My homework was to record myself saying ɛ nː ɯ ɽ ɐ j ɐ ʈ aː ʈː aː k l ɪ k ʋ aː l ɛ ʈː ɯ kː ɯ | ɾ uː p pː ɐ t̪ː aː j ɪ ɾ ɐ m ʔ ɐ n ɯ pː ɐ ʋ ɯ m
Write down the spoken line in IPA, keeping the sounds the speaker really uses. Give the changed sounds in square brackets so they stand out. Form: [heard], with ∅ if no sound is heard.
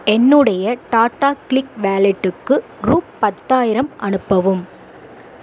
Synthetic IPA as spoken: ɛ nː ɯ ɽ ɐ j ɐ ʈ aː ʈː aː k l ɪ k ʋ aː l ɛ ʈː ɯ kː ɯ | ɾ uː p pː ɐ t̪ː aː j ɪ ɾ ɐ m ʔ ɐ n ɯ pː ɐ ʋ ɯ m